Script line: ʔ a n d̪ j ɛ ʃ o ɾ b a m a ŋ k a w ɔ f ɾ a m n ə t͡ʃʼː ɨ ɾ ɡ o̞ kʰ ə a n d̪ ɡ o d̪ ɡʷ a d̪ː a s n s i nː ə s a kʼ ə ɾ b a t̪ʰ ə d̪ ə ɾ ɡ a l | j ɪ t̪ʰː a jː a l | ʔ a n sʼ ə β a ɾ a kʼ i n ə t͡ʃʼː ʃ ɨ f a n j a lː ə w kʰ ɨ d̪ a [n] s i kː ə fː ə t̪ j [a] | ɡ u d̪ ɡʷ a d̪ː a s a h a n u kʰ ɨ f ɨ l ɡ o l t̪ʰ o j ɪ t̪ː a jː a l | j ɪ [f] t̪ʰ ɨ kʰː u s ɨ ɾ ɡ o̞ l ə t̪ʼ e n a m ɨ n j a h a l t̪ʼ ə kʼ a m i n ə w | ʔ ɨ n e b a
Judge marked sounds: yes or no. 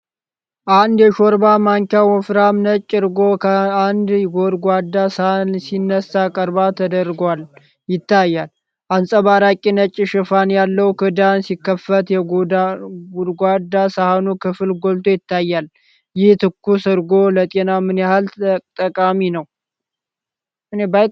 yes, no, no

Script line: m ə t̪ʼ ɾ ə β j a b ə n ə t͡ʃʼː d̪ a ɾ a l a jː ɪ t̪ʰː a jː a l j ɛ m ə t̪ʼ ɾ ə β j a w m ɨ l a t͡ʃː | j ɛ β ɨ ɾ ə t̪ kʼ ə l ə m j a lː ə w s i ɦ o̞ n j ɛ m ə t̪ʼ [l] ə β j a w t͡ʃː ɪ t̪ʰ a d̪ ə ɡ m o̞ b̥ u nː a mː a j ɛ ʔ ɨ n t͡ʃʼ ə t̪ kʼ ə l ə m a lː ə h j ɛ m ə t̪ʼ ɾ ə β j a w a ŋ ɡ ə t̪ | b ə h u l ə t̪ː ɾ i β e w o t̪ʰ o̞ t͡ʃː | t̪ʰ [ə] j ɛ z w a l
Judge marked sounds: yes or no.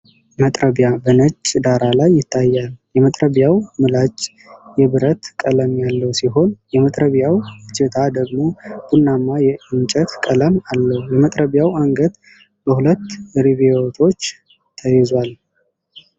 no, yes

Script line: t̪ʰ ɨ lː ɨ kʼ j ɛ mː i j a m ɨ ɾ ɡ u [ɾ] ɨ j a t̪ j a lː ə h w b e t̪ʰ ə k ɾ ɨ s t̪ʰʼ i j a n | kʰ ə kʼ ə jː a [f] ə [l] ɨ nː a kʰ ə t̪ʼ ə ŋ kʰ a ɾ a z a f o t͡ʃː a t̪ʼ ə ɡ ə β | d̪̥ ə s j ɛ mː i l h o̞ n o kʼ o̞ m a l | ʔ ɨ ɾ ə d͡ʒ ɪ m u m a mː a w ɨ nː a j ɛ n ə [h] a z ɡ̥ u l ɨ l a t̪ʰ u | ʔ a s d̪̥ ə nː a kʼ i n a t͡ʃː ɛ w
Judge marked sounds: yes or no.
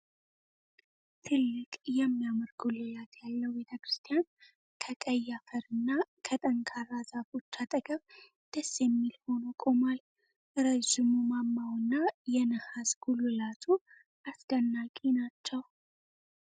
no, yes, no, yes

